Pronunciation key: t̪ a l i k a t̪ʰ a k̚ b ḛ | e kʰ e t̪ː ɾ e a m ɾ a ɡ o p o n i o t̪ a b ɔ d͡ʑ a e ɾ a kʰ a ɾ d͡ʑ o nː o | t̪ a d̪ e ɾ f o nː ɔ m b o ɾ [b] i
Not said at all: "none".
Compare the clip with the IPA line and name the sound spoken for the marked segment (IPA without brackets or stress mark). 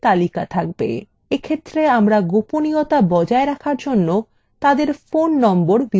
b